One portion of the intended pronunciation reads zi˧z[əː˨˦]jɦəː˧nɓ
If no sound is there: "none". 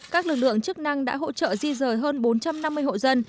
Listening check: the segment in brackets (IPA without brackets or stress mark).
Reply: əː˨˩